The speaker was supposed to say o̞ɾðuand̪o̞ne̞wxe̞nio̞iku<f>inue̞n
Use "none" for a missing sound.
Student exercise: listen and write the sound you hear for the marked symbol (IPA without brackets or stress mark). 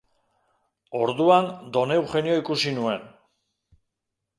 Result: s